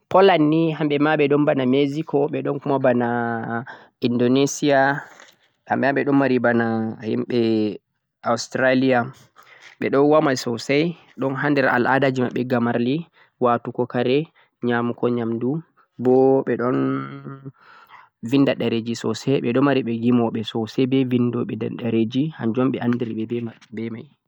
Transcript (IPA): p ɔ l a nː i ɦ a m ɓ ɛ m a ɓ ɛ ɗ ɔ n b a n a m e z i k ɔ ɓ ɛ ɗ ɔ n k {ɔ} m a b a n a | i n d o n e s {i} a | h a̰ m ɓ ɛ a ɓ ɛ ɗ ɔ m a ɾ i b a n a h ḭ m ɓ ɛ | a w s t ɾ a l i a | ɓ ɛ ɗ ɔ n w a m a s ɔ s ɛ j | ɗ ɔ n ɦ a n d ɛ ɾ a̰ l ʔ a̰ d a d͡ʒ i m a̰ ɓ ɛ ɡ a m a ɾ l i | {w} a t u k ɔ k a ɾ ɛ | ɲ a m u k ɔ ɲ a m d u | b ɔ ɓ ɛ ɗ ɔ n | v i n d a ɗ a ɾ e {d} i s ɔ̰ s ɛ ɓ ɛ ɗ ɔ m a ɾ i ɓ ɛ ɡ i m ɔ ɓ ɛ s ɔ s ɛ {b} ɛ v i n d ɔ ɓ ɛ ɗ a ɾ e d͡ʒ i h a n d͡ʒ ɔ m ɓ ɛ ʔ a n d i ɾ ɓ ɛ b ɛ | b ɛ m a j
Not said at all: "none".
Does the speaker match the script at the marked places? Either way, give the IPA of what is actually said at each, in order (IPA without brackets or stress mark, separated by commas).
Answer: u, i, w, d͡ʒ, b